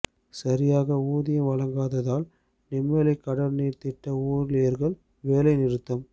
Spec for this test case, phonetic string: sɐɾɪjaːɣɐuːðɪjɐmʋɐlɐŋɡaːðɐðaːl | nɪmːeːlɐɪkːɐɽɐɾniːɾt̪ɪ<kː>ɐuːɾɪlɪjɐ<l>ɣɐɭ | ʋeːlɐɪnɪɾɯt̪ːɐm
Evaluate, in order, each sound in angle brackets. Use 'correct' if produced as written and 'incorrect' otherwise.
incorrect: ʈː, incorrect: ɾ

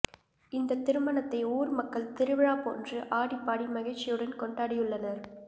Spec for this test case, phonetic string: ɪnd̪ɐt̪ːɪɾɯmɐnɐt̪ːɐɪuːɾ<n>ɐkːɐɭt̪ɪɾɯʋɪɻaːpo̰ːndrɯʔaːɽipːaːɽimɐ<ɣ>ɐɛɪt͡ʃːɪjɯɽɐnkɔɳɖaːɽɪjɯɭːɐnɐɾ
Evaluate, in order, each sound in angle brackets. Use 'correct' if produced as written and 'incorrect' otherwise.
incorrect: m, correct

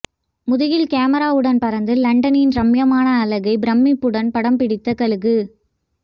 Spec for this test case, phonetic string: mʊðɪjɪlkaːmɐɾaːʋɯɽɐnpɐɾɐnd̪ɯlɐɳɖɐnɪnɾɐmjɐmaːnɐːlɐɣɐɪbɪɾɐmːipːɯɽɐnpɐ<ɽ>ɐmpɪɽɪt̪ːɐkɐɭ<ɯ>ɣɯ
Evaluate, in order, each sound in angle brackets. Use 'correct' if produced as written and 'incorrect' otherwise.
correct, correct

